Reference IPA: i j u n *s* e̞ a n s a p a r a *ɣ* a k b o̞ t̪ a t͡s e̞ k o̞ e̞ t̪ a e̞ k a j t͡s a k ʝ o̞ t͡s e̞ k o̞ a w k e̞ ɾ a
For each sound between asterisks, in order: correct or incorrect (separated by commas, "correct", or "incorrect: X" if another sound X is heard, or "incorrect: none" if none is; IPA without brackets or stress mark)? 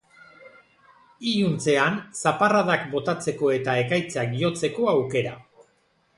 incorrect: t͡s, incorrect: ð